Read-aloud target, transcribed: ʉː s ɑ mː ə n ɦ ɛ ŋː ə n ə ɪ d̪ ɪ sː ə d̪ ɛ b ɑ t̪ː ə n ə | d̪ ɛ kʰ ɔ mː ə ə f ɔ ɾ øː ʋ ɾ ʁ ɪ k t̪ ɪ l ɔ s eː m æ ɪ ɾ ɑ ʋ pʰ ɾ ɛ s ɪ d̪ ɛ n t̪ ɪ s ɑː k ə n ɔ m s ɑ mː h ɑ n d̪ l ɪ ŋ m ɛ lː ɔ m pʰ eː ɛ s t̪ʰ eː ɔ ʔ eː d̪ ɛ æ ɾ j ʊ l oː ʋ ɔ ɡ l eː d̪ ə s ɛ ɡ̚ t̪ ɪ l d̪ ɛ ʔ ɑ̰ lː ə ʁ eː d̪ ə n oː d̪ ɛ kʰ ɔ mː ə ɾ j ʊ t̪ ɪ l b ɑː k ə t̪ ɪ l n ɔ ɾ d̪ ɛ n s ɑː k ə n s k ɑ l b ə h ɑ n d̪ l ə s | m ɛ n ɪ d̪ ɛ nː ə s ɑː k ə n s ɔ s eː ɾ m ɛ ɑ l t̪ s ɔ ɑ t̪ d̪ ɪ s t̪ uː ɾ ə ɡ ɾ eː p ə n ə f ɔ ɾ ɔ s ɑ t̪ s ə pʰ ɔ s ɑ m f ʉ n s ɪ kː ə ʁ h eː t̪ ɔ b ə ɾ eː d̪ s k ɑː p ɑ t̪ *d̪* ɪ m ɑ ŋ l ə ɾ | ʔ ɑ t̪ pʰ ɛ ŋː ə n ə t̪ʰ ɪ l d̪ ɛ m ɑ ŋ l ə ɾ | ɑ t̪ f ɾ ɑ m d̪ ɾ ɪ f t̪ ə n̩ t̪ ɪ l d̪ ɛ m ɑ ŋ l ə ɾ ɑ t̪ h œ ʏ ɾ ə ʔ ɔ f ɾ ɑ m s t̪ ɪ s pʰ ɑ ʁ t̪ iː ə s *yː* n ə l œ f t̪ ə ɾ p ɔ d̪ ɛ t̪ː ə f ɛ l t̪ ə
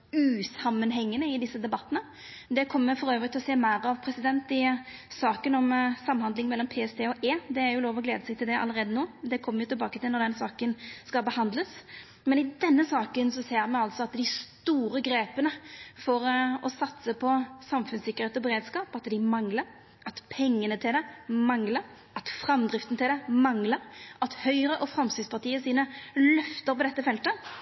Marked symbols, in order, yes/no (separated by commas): yes, no